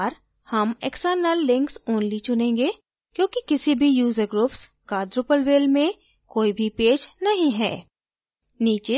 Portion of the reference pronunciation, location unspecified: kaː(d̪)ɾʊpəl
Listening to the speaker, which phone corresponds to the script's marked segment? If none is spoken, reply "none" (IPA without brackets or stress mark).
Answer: d̪